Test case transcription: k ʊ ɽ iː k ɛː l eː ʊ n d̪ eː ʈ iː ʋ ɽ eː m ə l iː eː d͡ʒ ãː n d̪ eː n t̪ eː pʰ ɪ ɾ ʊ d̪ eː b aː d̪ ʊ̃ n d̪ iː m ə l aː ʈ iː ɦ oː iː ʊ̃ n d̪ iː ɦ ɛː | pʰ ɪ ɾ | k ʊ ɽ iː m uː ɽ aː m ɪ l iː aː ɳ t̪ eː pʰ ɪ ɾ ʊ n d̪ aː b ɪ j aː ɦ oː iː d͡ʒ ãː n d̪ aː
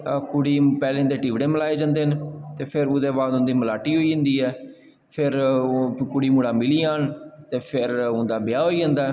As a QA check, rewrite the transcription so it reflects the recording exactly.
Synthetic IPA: k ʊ ɽ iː p ɛː l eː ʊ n d̪ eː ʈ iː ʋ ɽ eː m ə l aː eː d͡ʒ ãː n d̪ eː n t̪ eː pʰ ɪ ɾ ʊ d̪ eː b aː d̪ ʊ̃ n d̪ iː m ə l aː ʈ iː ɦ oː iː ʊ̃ n d̪ iː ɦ ɛː | pʰ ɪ ɾ | k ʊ ɽ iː m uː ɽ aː m ɪ l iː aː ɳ t̪ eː pʰ ɪ ɾ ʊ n d̪ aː b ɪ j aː ɦ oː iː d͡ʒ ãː n d̪ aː